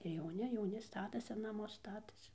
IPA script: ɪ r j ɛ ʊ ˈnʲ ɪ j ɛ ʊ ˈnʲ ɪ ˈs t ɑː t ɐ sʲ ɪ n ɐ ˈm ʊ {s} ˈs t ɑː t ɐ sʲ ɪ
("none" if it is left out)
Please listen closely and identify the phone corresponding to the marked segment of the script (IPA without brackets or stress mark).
s